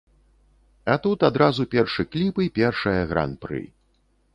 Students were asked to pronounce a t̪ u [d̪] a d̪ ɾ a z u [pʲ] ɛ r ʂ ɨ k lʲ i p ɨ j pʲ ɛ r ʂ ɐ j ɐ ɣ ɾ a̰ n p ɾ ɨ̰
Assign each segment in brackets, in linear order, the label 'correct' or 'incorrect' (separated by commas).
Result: incorrect, correct